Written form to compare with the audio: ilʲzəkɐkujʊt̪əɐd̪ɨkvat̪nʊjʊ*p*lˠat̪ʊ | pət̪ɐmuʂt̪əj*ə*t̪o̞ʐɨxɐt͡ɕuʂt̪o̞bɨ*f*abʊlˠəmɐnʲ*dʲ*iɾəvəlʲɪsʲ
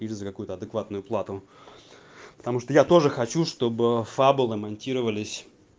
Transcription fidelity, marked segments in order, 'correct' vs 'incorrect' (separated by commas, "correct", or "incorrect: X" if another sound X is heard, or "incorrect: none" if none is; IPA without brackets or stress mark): correct, incorrect: a, correct, incorrect: tʲ